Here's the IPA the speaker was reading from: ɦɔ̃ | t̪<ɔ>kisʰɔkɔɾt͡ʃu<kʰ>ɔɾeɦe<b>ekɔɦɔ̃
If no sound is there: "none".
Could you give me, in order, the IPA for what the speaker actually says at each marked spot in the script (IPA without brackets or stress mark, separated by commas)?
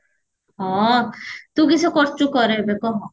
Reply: u, k, b